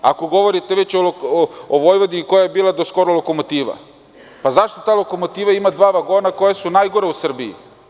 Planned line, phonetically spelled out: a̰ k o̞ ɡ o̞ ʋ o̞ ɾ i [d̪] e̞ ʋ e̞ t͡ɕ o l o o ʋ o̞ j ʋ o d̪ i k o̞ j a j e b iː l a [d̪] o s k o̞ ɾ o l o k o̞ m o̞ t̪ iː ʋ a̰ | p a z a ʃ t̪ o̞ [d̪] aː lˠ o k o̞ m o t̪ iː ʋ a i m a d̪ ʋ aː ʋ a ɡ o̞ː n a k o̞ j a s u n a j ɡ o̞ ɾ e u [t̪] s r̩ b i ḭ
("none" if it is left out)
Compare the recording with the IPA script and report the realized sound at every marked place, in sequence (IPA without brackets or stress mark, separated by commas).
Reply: t̪, d̪, t̪, none